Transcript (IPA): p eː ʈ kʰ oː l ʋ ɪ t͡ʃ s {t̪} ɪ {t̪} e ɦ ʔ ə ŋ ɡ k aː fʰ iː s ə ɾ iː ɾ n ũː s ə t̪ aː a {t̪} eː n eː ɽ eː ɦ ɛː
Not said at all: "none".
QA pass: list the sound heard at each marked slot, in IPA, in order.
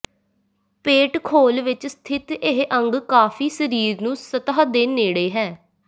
t̪ʰ, t̪, d̪

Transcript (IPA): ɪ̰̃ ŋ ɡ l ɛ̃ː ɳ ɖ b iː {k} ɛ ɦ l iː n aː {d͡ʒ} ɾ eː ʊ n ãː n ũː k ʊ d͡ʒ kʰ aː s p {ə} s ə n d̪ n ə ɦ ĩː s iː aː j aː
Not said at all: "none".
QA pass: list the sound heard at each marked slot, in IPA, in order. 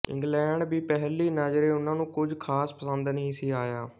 p, d͡ʒ, ə

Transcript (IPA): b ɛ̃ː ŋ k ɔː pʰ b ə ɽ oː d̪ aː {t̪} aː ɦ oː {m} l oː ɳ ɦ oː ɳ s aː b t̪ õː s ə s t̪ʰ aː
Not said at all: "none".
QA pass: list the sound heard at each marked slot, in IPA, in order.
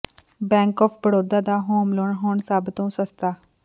d̪, m

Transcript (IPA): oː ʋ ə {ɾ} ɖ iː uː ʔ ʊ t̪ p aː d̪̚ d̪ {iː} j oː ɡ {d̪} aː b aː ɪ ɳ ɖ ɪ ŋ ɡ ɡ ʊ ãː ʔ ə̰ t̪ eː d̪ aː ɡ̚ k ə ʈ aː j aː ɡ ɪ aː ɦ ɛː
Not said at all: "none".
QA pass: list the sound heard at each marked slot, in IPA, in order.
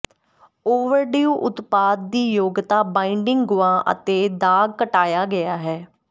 ɾ, iː, t̪

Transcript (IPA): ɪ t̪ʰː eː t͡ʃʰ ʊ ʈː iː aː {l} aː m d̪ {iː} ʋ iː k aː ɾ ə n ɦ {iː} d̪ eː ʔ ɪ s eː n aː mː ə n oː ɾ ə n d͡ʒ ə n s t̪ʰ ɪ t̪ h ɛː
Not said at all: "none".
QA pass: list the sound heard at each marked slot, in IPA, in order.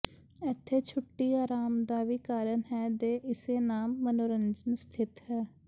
ɾ, aː, ɛː

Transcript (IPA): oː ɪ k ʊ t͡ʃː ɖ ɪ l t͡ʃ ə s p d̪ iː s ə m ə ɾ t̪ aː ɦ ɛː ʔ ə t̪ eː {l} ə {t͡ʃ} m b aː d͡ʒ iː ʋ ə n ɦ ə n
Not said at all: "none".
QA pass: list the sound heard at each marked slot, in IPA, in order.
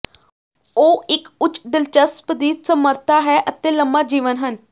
l, none

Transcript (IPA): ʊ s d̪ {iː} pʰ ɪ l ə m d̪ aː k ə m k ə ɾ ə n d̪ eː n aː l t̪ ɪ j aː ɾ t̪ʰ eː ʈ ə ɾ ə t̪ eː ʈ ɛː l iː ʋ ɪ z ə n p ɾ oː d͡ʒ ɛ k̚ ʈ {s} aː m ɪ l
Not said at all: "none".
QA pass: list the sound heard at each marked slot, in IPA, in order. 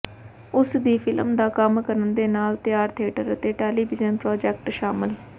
iː, ʃ

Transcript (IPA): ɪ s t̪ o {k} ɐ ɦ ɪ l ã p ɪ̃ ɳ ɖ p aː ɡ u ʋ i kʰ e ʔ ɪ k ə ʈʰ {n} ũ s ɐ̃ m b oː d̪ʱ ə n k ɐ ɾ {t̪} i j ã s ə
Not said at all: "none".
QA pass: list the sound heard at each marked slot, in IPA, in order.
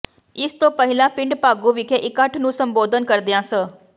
p, n, d̪

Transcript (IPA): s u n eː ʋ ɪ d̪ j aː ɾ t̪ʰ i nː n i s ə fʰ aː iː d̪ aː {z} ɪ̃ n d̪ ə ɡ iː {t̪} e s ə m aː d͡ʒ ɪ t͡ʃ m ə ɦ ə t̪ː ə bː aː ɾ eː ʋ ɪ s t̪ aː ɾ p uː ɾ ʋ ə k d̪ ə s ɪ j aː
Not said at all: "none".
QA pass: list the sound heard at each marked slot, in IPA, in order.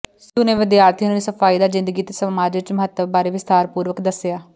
z, t̪

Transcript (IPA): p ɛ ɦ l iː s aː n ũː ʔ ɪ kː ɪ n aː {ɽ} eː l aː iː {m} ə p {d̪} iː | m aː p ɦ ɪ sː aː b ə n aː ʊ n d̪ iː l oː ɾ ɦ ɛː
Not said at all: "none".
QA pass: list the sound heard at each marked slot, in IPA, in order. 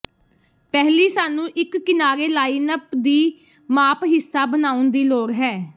ɾ, n, d̪

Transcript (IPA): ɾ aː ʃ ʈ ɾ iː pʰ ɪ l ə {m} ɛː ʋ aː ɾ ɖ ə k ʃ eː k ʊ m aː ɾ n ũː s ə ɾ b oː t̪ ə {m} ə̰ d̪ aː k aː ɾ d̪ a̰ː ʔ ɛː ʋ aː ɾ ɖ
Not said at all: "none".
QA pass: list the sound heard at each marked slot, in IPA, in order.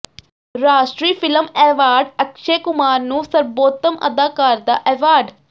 m, m

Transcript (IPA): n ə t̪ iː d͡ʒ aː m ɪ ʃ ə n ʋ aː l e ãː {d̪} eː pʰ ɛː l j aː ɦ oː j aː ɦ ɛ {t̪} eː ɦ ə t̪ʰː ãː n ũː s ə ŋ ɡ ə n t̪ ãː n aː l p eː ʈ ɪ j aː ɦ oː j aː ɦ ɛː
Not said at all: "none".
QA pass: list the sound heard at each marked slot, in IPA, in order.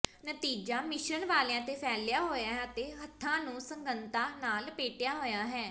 t̪, t̪

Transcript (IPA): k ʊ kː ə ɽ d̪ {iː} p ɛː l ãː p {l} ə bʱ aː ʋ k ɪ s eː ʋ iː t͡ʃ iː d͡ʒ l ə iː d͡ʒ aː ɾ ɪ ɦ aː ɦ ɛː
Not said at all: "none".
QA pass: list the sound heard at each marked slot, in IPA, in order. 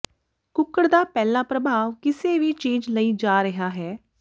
aː, ɾ

